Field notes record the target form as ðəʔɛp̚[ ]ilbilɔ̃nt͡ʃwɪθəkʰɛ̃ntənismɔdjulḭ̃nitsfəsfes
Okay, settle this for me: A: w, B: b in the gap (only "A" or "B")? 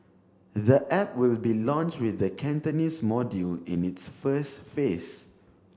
A